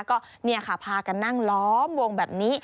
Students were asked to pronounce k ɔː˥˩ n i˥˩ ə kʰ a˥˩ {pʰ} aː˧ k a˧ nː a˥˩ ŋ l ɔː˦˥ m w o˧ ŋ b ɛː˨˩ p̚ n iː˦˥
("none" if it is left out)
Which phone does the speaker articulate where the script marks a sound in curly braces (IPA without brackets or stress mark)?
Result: pʰ